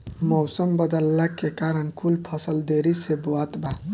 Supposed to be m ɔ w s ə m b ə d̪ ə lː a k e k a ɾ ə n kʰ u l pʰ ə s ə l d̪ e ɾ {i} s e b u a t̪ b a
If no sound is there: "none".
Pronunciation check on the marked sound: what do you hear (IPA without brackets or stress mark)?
i